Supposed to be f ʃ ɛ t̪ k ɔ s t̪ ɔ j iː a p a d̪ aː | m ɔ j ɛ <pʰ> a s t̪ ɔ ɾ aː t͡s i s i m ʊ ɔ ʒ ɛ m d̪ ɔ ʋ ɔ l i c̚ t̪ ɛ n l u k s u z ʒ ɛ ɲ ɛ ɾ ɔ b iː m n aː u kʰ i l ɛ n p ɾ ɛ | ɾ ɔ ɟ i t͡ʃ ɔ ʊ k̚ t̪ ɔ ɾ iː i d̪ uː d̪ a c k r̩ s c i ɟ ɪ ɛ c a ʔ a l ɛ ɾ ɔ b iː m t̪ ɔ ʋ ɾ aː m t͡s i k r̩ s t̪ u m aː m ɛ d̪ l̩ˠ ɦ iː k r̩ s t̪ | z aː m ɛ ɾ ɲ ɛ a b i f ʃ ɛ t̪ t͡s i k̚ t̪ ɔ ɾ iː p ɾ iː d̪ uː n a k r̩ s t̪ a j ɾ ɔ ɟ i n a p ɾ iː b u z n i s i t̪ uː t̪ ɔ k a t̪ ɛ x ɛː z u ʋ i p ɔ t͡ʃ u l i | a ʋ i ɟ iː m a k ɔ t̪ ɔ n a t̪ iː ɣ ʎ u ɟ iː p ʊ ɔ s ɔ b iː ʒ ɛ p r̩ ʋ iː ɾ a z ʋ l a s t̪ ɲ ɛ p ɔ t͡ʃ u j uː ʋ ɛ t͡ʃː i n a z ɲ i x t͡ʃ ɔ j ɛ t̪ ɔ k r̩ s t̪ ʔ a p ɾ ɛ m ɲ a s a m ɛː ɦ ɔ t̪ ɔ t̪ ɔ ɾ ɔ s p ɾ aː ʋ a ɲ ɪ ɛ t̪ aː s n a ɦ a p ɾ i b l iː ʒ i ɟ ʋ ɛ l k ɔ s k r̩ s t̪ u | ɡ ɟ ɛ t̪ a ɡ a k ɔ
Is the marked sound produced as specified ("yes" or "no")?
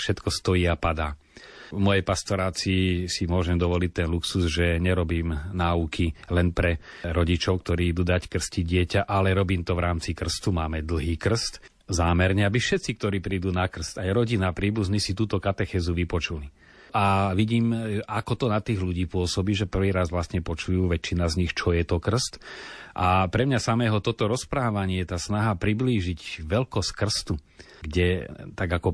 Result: no